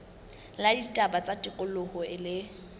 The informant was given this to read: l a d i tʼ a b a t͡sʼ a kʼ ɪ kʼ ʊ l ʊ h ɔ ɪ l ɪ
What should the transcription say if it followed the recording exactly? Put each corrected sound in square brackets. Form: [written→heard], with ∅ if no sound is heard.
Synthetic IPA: l a d i tʼ a b a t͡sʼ a [kʼ→tʼ] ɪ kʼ ʊ l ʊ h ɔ ɪ l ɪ